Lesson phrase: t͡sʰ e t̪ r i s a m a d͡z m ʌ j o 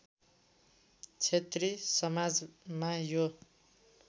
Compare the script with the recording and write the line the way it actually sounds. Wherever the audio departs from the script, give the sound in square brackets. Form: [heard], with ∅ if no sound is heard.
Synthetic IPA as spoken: t͡sʰ e t̪ r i s [ʌ] m a d͡z m [a] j o